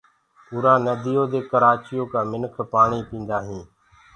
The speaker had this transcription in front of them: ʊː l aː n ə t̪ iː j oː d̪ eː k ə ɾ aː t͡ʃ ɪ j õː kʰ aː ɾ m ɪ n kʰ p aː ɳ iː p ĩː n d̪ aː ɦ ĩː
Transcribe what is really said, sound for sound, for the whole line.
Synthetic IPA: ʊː ɾ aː n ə d̪ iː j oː d̪ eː k ə ɾ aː t͡ʃ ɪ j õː k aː m ɪ n kʰ p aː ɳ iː p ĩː n d̪ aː ɦ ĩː